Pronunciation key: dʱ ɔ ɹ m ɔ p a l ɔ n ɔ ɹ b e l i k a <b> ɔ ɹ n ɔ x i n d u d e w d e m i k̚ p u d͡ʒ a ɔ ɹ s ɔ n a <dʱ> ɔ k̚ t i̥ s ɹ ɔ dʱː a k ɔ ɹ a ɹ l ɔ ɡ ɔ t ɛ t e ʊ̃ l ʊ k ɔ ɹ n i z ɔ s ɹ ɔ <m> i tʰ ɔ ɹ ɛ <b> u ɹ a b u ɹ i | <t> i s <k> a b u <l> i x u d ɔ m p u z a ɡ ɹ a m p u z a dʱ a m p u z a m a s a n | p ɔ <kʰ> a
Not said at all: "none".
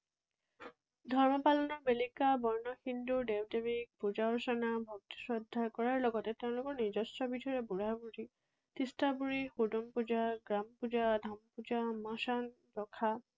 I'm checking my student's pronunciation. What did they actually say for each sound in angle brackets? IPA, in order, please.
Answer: b, bʱ, b, b, t, t, ɹ, kʰ

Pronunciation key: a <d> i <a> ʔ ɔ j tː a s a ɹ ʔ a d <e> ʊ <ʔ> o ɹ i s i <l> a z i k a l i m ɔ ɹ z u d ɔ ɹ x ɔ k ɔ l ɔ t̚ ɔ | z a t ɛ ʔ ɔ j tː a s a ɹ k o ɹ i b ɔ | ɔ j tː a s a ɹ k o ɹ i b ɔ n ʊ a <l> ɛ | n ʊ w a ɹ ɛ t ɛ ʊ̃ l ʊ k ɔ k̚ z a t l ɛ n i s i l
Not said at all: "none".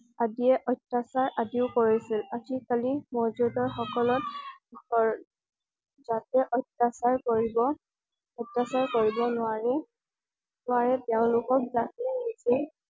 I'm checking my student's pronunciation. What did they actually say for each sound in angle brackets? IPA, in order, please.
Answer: d, ɛ, i, k, l, ɹ

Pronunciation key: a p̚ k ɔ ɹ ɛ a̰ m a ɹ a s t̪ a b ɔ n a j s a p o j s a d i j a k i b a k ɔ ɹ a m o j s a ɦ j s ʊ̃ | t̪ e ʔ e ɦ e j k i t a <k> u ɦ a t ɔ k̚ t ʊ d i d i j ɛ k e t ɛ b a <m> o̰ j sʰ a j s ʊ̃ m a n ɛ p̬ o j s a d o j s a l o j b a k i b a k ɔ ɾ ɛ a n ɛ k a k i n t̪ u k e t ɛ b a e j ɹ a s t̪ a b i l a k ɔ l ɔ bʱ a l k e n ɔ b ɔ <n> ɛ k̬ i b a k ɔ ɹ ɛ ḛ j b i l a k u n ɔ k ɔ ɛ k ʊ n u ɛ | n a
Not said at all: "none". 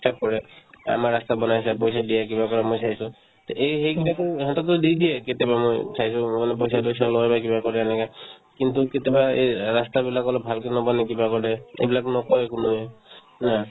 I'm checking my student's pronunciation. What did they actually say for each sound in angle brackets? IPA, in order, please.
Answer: k, m, n

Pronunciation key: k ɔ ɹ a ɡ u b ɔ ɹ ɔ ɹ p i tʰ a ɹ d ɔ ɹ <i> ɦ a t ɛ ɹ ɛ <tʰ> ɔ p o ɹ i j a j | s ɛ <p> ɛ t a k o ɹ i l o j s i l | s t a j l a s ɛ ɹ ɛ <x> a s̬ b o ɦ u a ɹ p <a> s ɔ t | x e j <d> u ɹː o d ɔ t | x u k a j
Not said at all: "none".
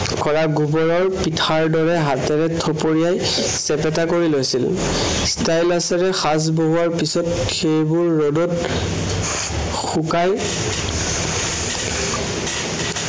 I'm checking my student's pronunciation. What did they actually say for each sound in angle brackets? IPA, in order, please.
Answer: ɛ, tʰ, p, x, i, b

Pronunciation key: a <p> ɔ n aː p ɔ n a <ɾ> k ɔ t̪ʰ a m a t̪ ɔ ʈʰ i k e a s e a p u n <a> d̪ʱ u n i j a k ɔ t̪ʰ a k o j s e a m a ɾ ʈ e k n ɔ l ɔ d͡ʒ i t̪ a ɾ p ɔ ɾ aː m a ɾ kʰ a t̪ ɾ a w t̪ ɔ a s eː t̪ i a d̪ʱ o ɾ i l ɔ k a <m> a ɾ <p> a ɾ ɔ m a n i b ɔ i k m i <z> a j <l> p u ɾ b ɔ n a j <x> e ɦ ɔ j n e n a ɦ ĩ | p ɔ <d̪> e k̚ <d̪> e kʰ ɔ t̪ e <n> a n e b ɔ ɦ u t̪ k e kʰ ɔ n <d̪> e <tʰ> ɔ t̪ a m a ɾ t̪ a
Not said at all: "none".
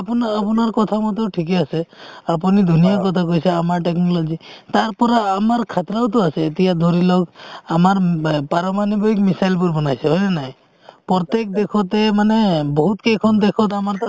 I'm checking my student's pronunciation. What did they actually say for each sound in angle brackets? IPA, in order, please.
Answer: p, ɾ, i, m, p, s, l, s, t̪, d̪, m, d̪, kʰ

